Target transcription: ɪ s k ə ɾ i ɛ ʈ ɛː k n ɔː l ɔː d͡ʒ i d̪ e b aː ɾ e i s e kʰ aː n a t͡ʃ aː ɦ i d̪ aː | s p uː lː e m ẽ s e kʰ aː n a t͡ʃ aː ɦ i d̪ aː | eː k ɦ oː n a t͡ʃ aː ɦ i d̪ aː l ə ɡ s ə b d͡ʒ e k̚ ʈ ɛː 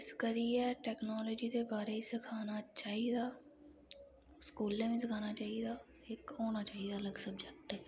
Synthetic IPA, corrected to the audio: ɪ s k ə ɾ i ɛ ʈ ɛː k n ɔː l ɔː d͡ʒ i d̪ e b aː ɾ e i s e kʰ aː n a t͡ʃ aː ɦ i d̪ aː | s k uː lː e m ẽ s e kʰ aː n a t͡ʃ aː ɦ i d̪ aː | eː k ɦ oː n a t͡ʃ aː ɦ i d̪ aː l ə ɡ s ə b d͡ʒ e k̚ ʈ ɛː

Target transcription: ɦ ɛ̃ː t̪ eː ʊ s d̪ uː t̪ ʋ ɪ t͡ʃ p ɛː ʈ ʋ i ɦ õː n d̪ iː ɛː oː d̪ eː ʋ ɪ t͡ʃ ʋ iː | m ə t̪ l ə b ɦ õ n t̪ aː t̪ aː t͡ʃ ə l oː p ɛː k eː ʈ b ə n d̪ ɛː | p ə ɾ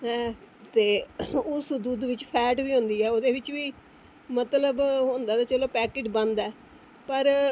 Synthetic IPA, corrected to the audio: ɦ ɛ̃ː t̪ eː ʊ s d̪ uː d̪ ʋ ɪ t͡ʃ pʰ ɛː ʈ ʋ iː ɦ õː n d̪ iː ɛː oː d̪ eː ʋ ɪ t͡ʃ ʋ iː | m ə t̪ l ə b ɦ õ n d̪ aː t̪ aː t͡ʃ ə l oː p ɛː k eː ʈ b ə n d̪ ɛː | p ə ɾ

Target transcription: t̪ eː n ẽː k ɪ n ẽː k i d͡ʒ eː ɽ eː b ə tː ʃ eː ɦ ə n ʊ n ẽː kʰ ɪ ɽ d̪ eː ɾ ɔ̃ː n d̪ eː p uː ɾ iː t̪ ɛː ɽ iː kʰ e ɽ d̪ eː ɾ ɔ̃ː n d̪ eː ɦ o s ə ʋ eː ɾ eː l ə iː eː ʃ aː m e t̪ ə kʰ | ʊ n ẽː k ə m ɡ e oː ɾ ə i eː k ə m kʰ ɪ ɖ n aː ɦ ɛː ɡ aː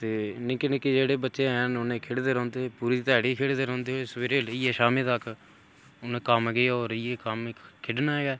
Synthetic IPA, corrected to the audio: t̪ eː n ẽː k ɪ n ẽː k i d͡ʒ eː ɽ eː b ə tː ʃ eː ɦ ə n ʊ n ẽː kʰ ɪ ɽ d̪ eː ɾ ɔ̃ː n d̪ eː p uː ɾ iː t̪ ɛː ɽ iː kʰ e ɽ d̪ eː ɾ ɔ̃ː n d̪ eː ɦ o s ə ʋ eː ɾ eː l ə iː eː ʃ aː m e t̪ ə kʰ | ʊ n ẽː k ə m ɡ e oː ɾ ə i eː k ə m kʰ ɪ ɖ n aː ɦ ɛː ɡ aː

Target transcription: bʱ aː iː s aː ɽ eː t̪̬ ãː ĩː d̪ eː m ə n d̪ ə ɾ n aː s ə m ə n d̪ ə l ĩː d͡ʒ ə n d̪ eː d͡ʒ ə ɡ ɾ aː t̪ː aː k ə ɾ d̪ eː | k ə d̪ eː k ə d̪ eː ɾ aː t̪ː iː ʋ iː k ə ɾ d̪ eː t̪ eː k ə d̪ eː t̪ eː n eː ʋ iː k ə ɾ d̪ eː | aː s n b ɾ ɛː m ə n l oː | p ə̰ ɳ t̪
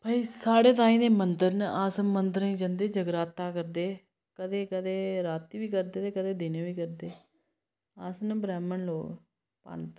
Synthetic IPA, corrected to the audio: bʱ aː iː s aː ɽ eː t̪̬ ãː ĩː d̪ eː m ə n d̪ ə ɾ n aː s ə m ə n d̪ ə ɾ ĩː d͡ʒ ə n d̪ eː d͡ʒ ə ɡ ɾ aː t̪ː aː k ə ɾ d̪ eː | k ə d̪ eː k ə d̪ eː ɾ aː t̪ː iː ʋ iː k ə ɾ d̪ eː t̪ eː k ə d̪ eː d̪ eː n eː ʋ iː k ə ɾ d̪ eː | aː s n b ɾ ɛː m ə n l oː | p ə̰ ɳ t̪

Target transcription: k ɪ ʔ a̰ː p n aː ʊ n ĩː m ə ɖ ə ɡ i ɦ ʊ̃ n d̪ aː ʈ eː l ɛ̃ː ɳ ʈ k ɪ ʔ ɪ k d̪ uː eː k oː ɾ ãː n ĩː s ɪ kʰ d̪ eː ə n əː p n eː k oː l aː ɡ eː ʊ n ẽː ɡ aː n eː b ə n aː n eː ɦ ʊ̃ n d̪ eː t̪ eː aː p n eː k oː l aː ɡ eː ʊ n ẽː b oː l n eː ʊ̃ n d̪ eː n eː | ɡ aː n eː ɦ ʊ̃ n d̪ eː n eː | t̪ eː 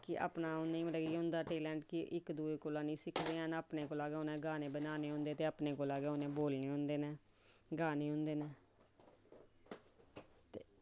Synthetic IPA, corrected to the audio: k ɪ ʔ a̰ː p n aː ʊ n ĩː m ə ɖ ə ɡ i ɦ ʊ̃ n d̪ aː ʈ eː l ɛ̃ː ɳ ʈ k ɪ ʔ ɪ k d̪ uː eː k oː l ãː n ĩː s ɪ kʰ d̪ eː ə n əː p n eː k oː l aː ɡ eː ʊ n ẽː ɡ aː n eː b ə n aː n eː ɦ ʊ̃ n d̪ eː t̪ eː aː p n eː k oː l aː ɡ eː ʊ n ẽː b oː l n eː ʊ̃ n d̪ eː n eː | ɡ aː n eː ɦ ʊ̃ n d̪ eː n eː | t̪ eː

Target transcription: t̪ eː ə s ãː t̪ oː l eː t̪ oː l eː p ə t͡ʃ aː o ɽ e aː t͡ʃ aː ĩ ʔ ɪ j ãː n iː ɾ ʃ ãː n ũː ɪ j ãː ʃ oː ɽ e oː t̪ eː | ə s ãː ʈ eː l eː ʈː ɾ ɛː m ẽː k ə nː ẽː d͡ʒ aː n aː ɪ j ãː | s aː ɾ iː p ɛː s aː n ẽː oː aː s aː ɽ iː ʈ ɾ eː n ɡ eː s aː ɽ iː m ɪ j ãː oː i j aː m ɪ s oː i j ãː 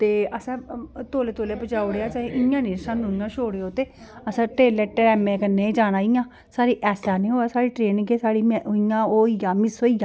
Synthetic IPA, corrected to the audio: t̪ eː ə s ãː t̪ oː l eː t̪ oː l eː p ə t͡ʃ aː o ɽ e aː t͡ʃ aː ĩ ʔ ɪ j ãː n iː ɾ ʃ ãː n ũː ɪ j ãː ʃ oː ɽ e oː t̪ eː | ə s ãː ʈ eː l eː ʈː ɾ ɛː m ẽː k ə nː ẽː d͡ʒ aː n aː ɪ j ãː | s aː ɾ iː ʔ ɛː s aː n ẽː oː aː s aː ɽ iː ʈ ɾ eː n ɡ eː s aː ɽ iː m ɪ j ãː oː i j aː m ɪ s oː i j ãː

